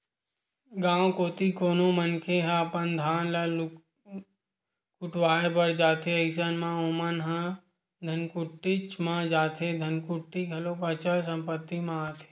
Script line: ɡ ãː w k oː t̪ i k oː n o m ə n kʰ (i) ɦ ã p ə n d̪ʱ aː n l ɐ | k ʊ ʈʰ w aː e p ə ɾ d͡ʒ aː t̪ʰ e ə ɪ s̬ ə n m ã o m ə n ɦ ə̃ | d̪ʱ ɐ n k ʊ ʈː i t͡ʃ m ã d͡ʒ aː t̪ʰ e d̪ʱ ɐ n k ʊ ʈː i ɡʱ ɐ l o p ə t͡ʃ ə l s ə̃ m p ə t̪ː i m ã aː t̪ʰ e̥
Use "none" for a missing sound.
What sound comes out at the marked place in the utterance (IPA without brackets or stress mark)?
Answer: e